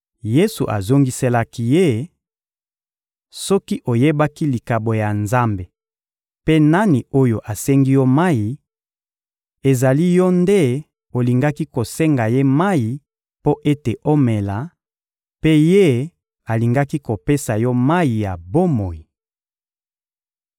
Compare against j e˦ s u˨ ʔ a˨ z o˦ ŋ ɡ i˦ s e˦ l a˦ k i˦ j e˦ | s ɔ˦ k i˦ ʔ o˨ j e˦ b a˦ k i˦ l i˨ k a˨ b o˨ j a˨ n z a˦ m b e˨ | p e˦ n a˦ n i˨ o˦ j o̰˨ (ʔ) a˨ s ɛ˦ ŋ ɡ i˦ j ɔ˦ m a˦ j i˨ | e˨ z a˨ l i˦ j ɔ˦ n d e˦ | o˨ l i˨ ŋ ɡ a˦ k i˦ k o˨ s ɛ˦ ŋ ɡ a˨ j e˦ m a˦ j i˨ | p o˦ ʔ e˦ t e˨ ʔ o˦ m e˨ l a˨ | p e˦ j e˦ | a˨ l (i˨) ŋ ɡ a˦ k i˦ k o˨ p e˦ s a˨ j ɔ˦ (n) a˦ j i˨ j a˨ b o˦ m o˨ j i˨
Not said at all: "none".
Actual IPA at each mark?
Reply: ʔ, i˨, m

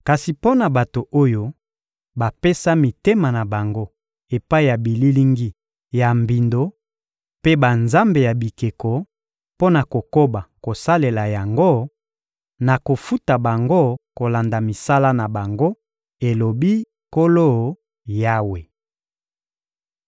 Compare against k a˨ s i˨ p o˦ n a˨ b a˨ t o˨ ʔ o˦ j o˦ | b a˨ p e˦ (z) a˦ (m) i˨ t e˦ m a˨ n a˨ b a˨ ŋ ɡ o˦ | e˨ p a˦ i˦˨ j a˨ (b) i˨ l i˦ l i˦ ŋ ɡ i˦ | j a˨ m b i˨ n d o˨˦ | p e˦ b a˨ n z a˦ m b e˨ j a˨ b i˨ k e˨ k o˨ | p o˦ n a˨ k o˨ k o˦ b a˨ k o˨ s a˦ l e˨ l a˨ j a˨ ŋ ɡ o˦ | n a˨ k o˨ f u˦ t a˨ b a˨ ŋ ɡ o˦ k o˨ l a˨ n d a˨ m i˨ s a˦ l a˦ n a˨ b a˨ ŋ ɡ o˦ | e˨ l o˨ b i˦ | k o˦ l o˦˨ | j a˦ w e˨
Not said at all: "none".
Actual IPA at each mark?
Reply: s, m, b

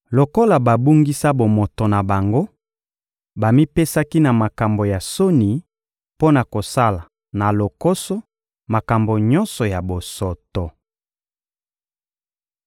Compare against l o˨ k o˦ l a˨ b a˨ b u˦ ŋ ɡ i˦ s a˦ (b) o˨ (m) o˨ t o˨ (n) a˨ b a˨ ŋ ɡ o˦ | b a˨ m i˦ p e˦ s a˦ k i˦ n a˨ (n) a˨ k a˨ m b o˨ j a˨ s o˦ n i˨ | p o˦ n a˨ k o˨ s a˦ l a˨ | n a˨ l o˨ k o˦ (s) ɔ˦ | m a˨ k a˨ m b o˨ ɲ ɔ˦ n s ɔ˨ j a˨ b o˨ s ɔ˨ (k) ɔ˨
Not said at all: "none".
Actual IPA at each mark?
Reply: b, m, n, m, s, t

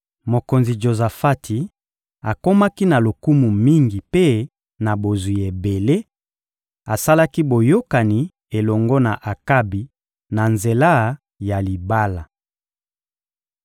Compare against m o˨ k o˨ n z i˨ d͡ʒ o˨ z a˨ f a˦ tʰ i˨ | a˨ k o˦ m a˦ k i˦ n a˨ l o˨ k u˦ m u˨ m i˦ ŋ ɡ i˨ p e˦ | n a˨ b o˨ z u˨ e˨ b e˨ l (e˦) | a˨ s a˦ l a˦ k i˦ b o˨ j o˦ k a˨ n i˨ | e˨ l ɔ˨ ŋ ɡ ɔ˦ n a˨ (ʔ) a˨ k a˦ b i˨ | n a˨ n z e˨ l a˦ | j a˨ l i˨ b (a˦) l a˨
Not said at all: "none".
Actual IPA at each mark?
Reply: e˦, ʔ, a˦

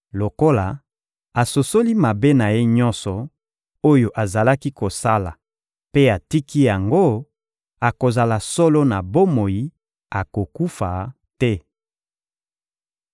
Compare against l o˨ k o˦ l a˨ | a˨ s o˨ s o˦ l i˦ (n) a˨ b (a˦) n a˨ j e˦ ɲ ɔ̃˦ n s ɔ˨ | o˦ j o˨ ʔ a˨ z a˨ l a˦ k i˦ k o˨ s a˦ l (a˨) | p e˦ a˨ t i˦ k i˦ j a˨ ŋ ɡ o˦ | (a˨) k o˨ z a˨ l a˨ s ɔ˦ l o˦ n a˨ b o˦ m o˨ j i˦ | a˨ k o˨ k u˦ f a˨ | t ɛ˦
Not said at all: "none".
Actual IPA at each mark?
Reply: m, e˦, a˨, a˨

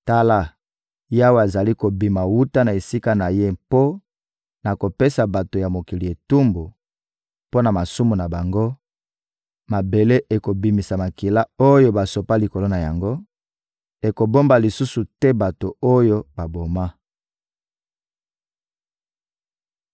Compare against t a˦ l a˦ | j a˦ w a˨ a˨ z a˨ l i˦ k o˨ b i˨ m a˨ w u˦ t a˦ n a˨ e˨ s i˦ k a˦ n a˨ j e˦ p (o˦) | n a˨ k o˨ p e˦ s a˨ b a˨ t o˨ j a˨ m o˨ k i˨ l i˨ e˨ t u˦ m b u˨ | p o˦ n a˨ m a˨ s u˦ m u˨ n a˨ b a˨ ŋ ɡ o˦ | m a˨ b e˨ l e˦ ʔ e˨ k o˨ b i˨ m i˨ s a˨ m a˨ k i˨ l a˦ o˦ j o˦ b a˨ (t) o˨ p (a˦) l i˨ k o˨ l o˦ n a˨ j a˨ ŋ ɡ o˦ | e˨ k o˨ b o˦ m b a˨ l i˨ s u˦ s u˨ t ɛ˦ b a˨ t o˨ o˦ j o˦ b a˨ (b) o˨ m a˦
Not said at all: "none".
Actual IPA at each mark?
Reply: o˦, s, a˦, b

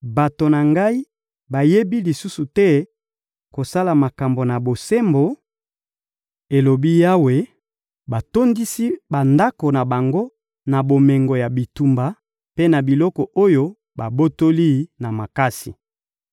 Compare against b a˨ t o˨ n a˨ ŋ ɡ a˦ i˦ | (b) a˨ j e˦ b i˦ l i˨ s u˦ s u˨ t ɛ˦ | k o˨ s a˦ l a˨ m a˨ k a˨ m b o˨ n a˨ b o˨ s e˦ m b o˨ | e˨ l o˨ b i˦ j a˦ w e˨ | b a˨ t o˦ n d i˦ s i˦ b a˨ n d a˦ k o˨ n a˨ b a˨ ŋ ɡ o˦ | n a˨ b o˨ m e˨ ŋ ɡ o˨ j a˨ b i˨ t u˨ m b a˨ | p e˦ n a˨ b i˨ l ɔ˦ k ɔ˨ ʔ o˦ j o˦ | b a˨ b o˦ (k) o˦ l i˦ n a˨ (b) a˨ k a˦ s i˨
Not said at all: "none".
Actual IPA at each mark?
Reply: b, t, m

